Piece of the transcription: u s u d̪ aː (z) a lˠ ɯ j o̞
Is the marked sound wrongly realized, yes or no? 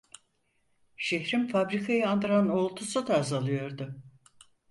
no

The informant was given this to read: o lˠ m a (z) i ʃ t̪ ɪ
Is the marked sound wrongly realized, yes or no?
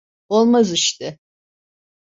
no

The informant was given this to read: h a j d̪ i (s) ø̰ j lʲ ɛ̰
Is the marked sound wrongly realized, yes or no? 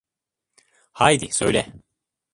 no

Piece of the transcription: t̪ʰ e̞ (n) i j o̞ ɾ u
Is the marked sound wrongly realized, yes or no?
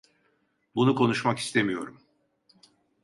yes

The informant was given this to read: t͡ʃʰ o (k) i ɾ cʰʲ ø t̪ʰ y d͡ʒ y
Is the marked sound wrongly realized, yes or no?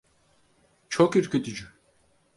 no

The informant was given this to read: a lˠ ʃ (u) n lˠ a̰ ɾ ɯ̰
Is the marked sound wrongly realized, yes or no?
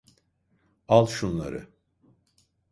no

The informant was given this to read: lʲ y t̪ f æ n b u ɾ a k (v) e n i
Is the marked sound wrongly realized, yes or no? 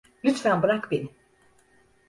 yes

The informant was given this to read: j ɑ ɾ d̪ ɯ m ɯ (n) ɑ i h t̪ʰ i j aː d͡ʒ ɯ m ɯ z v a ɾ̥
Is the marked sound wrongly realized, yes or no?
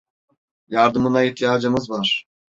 no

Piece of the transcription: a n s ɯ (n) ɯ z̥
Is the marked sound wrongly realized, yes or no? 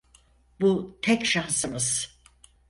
yes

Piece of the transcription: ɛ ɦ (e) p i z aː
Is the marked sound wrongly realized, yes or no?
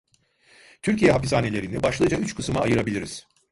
yes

